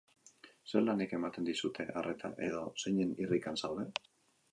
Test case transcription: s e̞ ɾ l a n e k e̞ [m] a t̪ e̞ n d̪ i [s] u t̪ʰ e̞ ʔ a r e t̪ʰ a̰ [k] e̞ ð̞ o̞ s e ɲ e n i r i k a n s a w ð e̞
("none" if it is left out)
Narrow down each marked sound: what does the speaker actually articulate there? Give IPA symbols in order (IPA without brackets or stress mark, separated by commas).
m, s, ʔ